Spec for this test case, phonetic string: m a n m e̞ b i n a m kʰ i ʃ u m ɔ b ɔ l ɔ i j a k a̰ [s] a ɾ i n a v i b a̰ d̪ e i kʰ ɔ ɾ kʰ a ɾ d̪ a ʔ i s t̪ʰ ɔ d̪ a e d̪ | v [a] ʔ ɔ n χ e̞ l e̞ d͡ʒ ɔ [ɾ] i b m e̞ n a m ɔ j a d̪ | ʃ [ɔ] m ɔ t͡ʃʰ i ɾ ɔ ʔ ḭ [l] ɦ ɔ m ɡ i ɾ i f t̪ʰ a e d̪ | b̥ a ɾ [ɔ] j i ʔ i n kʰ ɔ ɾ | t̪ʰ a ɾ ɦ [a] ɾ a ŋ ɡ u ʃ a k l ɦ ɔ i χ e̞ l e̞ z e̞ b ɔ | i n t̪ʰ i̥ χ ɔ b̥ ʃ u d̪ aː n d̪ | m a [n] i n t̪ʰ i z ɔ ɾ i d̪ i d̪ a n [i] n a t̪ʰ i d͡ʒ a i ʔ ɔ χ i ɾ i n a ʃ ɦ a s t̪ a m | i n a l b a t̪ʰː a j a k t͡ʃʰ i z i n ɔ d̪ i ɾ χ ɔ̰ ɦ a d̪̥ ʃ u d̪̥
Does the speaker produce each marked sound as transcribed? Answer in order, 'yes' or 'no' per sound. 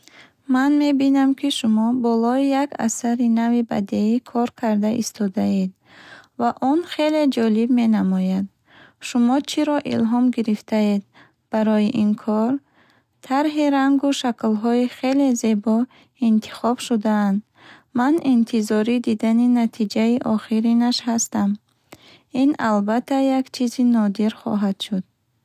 yes, yes, no, no, yes, yes, no, yes, yes

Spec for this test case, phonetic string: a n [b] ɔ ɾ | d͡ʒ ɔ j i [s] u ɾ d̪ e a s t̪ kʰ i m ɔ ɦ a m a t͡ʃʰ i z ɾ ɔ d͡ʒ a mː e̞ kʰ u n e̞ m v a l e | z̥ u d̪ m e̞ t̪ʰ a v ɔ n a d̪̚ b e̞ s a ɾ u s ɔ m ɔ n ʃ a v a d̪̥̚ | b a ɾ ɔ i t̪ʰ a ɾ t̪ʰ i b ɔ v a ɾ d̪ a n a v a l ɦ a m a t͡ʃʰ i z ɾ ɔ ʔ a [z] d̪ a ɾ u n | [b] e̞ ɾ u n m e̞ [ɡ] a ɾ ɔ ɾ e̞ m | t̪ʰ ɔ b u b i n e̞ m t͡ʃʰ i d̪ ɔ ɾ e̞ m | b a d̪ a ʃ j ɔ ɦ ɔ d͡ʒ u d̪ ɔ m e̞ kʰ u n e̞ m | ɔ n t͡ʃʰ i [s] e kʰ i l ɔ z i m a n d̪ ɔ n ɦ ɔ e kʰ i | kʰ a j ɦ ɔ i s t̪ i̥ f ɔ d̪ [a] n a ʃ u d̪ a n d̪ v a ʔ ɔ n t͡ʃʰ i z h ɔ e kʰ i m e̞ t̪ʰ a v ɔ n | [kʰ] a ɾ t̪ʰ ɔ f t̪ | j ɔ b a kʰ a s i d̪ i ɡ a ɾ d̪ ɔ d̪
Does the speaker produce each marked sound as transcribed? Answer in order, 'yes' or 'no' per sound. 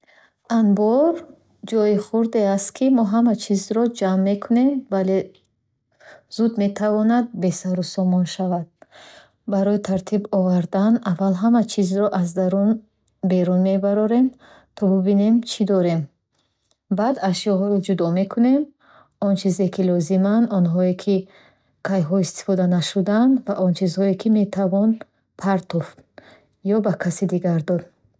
yes, no, yes, yes, no, no, yes, no

